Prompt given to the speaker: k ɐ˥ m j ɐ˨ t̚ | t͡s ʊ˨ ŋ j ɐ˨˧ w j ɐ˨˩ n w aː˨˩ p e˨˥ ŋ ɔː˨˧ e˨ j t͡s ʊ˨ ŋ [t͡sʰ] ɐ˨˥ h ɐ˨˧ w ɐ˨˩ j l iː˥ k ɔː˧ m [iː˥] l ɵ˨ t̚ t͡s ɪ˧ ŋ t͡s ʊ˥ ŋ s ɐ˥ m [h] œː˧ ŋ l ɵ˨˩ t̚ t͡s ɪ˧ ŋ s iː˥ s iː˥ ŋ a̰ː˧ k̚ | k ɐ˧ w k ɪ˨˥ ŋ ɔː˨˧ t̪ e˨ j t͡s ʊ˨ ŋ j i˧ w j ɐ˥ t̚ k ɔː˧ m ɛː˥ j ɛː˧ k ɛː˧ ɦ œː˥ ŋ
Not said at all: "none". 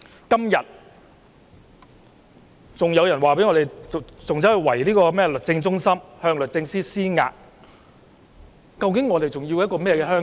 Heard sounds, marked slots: t͡s, ɛː˥, h

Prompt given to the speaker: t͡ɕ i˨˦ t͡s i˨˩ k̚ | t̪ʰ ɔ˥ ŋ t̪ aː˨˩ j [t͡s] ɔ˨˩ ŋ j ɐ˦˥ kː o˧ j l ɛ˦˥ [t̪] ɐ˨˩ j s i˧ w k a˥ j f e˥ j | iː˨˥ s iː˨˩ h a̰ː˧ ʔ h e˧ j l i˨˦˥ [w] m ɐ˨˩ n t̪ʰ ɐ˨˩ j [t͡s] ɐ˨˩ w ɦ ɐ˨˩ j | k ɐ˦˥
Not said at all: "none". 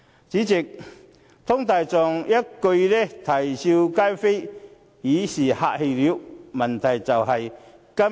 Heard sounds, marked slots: t͡s, t̪ʰ, w, t͡s

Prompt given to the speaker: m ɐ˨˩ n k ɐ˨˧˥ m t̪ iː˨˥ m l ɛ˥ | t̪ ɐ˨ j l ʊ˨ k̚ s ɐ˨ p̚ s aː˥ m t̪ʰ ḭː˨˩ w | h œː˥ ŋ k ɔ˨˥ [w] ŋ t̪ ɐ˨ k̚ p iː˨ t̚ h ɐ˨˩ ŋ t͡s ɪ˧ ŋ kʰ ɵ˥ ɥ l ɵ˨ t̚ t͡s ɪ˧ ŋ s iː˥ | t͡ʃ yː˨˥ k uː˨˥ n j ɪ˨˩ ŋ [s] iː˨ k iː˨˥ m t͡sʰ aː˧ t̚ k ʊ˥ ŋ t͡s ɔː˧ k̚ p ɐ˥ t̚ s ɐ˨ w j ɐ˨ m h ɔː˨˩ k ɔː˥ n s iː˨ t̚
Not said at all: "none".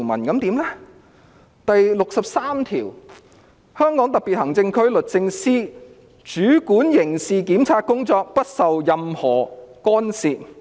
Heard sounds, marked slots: none, s

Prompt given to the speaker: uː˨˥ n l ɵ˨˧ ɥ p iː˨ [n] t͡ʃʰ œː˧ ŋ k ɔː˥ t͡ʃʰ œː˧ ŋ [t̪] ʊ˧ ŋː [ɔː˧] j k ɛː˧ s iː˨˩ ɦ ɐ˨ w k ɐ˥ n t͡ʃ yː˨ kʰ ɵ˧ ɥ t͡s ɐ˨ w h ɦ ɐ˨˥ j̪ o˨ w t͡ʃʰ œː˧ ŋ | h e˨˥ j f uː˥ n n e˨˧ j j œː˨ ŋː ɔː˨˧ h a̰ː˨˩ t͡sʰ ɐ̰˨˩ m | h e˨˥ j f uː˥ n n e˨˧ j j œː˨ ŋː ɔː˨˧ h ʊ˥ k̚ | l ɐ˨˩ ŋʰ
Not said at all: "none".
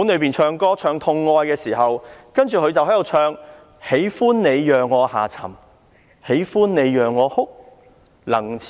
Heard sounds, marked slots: n, t̪ʰ, ɔː˧

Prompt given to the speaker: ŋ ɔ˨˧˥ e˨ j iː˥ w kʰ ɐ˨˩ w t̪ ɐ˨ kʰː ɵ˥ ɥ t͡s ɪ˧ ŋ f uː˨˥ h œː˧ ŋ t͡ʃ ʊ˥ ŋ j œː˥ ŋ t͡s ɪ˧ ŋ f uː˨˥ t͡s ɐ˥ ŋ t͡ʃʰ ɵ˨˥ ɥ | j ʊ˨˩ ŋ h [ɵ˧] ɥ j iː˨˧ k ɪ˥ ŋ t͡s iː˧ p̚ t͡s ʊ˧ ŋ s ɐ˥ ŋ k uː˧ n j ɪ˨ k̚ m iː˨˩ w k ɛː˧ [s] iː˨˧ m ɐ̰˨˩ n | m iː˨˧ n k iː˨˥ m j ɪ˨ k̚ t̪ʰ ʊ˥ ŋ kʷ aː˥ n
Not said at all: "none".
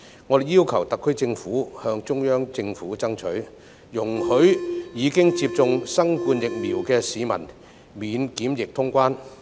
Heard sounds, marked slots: ɵ˨˥, s

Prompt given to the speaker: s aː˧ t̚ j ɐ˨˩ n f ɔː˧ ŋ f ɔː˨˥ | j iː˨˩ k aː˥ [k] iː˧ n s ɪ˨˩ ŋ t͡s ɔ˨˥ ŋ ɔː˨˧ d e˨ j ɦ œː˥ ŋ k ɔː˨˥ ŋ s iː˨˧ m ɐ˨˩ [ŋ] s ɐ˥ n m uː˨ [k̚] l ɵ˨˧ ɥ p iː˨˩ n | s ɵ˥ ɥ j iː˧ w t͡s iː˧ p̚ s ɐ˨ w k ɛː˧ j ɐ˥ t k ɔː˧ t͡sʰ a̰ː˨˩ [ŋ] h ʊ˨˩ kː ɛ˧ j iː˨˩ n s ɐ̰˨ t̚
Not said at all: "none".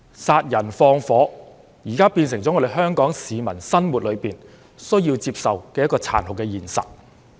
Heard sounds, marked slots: p, n, t̚, n

